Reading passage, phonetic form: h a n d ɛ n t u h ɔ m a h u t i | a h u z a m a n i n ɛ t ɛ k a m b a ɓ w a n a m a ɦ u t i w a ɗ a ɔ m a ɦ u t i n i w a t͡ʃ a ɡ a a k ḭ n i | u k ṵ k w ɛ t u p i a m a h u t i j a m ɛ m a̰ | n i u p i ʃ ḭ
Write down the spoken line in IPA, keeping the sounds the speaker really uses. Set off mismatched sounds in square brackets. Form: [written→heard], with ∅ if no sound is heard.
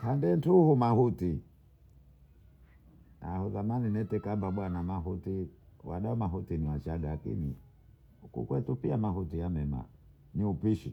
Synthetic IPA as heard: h a n d ɛ n t u h [ɔ→u] m a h u t i | a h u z a m a n i n ɛ t ɛ k a m b a ɓ w a n a m a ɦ u t i w a ɗ a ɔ m a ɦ u t i n i w a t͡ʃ a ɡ a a k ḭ n i | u k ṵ k w ɛ t u p i a m a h u t i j a m ɛ m a̰ | n i u p i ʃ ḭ